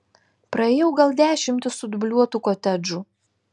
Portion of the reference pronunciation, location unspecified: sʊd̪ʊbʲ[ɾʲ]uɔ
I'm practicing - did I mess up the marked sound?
yes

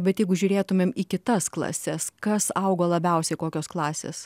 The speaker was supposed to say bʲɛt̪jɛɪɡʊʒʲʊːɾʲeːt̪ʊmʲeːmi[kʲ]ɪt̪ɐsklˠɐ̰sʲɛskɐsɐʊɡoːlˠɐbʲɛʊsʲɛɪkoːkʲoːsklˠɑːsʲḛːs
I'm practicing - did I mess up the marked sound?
no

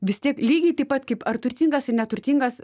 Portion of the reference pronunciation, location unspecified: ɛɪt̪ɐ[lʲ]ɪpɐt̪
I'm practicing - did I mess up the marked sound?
yes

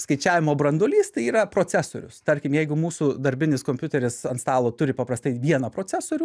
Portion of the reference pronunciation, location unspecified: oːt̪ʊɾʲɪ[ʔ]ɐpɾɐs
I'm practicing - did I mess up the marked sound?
yes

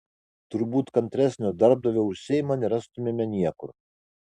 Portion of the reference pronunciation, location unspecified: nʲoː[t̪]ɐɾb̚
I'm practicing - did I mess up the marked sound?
yes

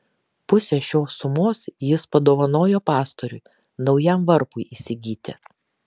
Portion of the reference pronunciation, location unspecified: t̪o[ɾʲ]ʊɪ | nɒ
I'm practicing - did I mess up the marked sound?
no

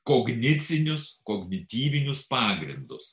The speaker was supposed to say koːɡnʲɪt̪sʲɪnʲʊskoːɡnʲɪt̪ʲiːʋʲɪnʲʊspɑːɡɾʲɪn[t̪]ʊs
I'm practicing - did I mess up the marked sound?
yes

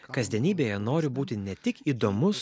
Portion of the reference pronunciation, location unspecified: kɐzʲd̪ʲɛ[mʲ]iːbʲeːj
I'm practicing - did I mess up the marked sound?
yes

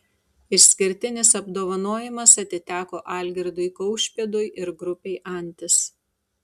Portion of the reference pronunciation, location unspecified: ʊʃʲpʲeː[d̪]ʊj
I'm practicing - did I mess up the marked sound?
no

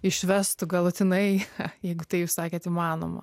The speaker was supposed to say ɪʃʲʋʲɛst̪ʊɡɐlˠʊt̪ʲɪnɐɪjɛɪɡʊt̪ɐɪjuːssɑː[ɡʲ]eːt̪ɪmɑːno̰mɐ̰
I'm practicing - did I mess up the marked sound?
yes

